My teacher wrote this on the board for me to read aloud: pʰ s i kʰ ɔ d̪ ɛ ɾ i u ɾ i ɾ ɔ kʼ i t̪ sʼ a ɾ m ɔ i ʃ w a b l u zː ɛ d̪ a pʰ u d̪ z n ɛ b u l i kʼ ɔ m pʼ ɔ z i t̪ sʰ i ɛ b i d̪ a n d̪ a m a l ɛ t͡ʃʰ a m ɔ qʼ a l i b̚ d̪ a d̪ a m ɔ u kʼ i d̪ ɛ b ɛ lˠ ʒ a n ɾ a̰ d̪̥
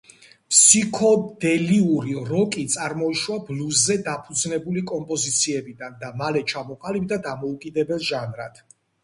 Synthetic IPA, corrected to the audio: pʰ s i kʰ ɔ d̪ ɛ l i u ɾ i ɾ ɔ kʼ i t̪ sʼ a ɾ m ɔ i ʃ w a b l u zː ɛ d̪ a pʰ u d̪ z n ɛ b u l i kʼ ɔ m pʼ ɔ z i t̪ sʰ i ɛ b i d̪ a n d̪ a m a l ɛ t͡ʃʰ a m ɔ qʼ a l i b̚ d̪ a d̪ a m ɔ u kʼ i d̪ ɛ b ɛ lˠ ʒ a n ɾ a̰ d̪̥